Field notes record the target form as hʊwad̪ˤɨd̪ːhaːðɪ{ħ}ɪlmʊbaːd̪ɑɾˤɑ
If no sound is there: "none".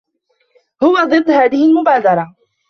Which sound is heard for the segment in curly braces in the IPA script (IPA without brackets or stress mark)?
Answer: h